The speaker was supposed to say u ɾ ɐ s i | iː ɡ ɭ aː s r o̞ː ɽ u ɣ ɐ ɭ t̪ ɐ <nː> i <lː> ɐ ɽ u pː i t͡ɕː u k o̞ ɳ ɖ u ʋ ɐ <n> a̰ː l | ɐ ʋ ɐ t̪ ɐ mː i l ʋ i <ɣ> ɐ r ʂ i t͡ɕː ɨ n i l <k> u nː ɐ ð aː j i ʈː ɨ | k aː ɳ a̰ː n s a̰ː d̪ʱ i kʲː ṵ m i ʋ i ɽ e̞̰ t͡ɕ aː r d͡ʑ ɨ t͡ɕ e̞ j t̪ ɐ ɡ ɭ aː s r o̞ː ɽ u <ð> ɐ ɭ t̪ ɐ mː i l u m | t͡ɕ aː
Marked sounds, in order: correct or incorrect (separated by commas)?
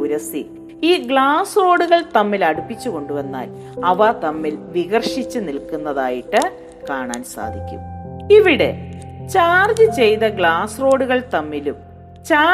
incorrect, incorrect, incorrect, correct, correct, incorrect